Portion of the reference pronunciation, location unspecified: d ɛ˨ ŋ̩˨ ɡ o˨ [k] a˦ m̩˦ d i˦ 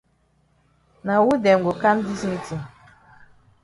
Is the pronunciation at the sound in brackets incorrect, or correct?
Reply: correct